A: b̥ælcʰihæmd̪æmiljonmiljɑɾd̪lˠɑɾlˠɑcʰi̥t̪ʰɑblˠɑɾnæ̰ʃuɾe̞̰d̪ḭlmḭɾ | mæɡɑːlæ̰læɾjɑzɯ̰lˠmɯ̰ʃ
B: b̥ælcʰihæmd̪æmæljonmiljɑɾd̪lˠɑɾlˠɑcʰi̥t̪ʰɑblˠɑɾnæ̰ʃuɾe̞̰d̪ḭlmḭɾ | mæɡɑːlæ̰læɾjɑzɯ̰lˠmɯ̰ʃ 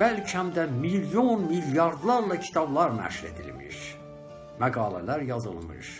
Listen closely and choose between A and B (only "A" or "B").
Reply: A